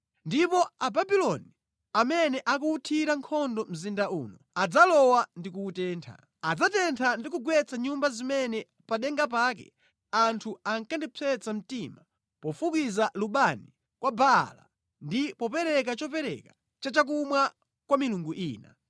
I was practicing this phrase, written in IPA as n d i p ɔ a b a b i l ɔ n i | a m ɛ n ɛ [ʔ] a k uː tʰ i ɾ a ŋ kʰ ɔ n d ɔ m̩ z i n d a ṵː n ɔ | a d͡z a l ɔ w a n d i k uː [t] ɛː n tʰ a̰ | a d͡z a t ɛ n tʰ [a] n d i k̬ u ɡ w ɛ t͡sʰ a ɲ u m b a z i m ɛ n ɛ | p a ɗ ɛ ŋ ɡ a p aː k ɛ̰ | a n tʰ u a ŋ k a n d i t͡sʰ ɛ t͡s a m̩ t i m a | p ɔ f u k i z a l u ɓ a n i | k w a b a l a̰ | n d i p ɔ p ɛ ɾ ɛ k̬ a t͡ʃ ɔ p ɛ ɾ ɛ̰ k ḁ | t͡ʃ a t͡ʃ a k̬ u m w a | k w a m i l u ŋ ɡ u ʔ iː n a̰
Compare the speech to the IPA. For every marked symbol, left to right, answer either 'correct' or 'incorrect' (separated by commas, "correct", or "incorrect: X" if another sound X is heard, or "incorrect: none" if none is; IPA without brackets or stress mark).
correct, correct, correct